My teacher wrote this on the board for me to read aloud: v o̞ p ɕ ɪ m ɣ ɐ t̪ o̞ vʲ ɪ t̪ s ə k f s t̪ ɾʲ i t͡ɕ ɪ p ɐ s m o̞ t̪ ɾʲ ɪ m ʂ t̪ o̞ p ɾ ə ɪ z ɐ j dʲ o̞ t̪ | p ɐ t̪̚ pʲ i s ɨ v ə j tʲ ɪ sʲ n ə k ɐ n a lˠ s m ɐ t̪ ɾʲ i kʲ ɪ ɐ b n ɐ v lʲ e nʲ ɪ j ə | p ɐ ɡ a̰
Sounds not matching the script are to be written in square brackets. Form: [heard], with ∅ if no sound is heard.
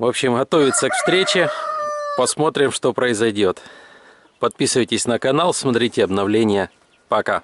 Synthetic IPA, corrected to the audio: v o̞ p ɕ ɪ m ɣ ɐ t̪ o̞ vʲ ɪ t̪ s ə k f s t̪ ɾʲ [e] t͡ɕ ɪ p ɐ s m o̞ t̪ ɾʲ ɪ m ʂ t̪ o̞ p ɾ ə ɪ z ɐ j dʲ o̞ t̪ | p ɐ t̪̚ pʲ i s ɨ v ə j tʲ ɪ sʲ n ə k ɐ n a lˠ s m ɐ t̪ ɾʲ i [tʲ] ɪ ɐ b n ɐ v lʲ e nʲ ɪ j ə | p ɐ [k] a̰